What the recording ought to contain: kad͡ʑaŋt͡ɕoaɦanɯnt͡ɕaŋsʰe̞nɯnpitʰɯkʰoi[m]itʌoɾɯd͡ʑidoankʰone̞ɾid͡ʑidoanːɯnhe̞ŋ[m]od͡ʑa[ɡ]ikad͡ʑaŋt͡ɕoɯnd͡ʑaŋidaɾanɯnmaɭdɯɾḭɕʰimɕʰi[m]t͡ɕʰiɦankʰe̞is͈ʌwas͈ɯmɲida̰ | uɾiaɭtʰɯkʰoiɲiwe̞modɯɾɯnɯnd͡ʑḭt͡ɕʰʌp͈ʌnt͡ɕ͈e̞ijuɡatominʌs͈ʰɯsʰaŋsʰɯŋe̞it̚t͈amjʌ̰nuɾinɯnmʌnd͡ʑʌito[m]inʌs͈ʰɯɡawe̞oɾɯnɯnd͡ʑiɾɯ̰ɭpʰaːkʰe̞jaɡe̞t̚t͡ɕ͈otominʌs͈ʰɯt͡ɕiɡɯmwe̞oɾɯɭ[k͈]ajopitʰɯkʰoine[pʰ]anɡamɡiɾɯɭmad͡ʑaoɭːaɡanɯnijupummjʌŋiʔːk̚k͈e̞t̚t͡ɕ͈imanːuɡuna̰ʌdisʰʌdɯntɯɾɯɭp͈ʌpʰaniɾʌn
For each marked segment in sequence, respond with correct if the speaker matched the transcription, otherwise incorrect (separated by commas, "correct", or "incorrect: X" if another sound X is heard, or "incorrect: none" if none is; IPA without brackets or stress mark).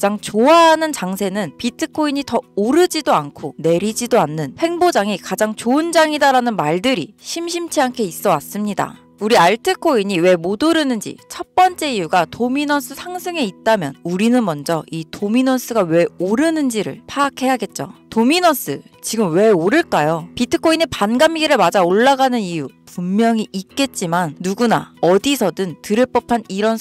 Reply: incorrect: ɲ, incorrect: b, incorrect: ŋ, correct, correct, correct, incorrect: p